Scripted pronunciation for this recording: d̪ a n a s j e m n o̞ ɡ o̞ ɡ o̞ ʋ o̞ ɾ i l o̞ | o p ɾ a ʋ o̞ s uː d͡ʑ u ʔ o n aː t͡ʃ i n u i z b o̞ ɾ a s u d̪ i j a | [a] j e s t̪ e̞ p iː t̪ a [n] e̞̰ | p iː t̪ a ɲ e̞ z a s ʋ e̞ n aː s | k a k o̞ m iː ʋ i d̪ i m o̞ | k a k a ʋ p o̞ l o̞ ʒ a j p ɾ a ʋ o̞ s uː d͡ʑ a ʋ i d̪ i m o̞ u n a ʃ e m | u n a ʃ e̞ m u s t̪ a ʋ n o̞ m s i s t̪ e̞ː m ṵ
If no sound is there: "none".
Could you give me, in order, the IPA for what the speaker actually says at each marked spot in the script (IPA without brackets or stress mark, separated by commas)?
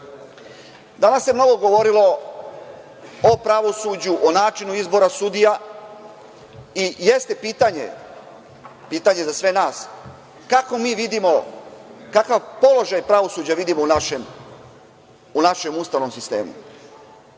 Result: i, ɲ